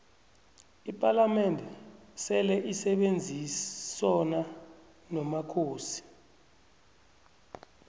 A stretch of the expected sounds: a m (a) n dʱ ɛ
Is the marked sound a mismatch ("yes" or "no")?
yes